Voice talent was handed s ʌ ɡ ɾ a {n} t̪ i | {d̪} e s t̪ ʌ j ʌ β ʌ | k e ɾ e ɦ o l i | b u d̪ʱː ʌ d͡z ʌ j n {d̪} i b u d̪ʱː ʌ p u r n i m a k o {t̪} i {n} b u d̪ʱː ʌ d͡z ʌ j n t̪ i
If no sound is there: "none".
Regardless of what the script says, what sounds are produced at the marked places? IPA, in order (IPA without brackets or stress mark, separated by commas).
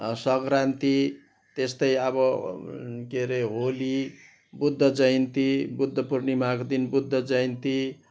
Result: n, t̪, t̪, d̪, n